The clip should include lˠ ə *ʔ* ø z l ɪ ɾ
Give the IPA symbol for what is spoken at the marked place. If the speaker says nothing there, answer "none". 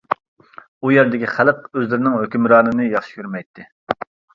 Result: q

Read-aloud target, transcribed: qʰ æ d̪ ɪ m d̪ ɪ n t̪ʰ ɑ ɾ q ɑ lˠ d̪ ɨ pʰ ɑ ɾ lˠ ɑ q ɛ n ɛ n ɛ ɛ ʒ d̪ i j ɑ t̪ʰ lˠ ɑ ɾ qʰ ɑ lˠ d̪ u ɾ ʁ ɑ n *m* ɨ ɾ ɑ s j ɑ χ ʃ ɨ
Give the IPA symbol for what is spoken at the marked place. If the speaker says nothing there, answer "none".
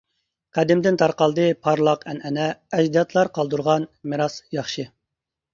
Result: m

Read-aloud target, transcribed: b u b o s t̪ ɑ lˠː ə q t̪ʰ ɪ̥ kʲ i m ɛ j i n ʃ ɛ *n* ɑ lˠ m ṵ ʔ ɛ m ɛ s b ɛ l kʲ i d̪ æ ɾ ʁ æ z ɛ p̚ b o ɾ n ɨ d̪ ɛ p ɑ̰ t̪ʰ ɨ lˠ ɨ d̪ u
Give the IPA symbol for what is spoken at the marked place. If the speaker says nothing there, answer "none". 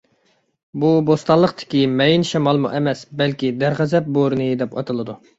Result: m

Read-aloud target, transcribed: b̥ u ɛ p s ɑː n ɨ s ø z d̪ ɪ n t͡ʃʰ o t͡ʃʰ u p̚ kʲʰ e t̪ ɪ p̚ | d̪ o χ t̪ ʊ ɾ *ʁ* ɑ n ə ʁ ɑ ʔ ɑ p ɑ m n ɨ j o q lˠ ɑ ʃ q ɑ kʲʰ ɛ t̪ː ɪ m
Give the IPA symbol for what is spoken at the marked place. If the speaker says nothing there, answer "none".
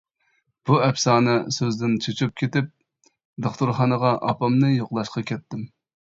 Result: χ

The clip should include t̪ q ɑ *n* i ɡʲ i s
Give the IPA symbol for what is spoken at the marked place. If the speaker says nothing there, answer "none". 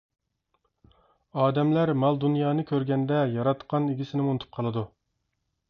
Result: n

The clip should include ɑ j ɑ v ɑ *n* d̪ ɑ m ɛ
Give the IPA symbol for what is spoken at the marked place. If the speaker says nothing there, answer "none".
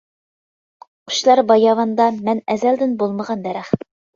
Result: n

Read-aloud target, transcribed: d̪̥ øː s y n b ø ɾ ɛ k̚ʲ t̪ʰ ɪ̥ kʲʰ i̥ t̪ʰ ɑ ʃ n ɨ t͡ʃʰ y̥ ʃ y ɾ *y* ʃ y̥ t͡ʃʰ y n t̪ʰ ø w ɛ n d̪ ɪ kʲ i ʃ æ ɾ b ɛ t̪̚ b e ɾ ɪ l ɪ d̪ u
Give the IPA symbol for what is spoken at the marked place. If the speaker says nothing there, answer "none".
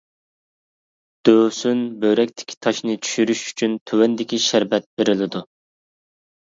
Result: y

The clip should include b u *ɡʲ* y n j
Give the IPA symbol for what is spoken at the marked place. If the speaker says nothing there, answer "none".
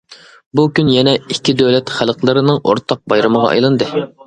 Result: kʲ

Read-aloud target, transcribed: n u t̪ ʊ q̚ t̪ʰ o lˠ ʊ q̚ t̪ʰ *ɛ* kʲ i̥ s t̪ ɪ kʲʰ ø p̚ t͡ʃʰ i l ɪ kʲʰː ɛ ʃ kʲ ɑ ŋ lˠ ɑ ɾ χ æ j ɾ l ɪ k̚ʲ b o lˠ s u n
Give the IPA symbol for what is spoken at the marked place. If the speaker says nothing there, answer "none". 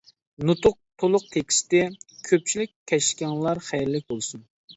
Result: e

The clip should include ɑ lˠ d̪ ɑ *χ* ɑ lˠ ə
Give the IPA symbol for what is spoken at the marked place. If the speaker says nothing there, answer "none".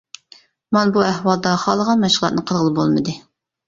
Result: χ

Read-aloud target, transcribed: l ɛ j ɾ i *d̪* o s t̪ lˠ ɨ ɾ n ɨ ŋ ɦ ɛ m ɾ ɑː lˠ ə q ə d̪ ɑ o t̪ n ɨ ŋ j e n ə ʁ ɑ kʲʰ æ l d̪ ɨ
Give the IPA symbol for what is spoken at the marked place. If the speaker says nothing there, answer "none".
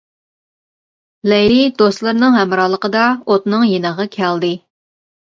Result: d̪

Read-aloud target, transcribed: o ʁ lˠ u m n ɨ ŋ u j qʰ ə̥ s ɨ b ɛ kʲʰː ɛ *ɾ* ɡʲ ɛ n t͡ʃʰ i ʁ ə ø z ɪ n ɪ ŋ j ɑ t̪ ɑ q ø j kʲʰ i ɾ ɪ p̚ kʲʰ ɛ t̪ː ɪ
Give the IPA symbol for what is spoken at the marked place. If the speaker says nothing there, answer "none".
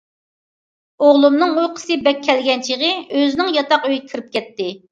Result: l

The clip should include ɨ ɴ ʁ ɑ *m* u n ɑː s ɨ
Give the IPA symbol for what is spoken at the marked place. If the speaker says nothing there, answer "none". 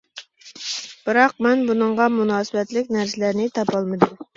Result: m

